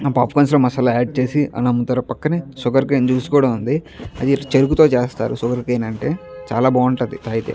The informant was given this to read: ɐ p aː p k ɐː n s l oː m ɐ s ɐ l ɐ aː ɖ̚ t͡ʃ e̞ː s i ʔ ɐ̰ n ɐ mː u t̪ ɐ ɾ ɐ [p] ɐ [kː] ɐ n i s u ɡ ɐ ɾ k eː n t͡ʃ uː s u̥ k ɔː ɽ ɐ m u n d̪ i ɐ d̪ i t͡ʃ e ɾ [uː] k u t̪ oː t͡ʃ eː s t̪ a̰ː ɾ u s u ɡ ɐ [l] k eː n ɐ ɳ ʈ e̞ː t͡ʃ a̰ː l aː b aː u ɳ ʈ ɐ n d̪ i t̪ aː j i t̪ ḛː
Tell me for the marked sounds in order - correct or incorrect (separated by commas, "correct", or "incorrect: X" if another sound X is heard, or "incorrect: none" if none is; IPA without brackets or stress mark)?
correct, correct, incorrect: u, incorrect: ɾ